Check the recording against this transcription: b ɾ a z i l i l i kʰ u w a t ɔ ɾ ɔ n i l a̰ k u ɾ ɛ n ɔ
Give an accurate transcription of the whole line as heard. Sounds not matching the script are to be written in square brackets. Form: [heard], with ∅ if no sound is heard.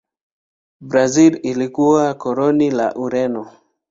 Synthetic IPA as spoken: b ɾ a z i l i l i [k] u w a [k] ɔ ɾ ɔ n i l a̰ [ʔ] u ɾ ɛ n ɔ